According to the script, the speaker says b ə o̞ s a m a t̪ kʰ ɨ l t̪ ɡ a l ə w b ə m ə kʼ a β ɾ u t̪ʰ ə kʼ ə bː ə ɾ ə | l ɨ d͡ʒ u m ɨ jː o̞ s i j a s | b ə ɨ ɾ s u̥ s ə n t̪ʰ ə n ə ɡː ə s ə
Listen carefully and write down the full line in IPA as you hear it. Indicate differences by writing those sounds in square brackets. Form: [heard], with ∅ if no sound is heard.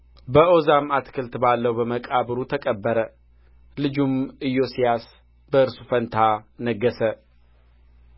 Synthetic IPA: b ə o̞ [z] a m a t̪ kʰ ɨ l t̪ [b] a [lː] ə w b ə m ə kʼ a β ɾ u t̪ʰ ə kʼ ə bː ə ɾ ə | l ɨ d͡ʒ u m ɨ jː o̞ s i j a s | b ə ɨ ɾ s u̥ [f] ə n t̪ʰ [a] n ə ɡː ə s ə